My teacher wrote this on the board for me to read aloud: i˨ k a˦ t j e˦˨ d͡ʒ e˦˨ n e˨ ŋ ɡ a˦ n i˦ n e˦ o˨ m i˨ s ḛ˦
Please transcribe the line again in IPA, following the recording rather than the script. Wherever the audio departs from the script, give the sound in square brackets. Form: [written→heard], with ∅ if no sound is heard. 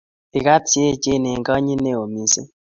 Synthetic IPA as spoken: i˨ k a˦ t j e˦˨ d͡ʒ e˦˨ n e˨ ŋ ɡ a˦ [n→ɲ] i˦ n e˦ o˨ m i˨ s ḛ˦